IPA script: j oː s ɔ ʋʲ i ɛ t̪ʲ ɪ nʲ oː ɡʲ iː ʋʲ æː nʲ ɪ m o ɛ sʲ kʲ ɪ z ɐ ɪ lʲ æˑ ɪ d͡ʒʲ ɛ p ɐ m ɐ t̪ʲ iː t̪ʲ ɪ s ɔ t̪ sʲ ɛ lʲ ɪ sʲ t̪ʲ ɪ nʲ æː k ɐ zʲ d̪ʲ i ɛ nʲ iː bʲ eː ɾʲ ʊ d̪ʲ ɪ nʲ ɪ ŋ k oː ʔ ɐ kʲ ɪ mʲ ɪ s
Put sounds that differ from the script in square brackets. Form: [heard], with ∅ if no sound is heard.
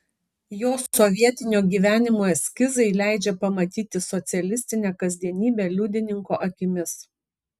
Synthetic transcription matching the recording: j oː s ɔ ʋʲ i ɛ t̪ʲ ɪ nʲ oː ɡʲ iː ʋʲ æː nʲ ɪ m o ɛ sʲ kʲ ɪ z ɐ ɪ lʲ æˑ ɪ d͡ʒʲ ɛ p ɐ m ɐ t̪ʲ iː t̪ʲ ɪ s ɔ t̪ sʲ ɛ lʲ ɪ sʲ t̪ʲ ɪ nʲ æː k ɐ zʲ d̪ʲ i ɛ nʲ iː bʲ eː [lʲ] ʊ d̪ʲ ɪ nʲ ɪ ŋ k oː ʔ ɐ kʲ ɪ mʲ ɪ s